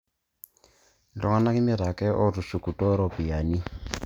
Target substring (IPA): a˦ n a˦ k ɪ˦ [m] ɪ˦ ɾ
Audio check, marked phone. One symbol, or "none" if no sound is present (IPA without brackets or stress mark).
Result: m